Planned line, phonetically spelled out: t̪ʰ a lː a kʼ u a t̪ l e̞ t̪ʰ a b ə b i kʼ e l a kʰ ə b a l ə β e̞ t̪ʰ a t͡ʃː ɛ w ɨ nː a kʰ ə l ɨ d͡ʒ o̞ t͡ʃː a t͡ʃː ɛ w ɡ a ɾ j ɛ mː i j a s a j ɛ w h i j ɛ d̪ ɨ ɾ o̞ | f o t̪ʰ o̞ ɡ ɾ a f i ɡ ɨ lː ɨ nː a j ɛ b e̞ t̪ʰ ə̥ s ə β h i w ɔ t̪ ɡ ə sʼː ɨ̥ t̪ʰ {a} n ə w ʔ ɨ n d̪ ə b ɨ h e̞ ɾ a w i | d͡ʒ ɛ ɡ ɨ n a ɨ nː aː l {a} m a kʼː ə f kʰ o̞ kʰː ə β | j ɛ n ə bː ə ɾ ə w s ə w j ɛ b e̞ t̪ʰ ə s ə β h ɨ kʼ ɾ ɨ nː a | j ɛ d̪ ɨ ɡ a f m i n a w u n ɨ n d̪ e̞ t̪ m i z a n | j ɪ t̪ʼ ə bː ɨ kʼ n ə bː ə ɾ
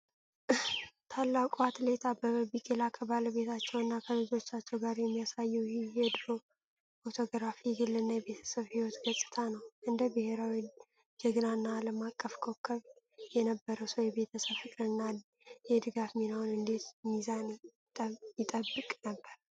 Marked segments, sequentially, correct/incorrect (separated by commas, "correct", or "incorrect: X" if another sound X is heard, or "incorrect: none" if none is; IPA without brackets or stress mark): correct, incorrect: ə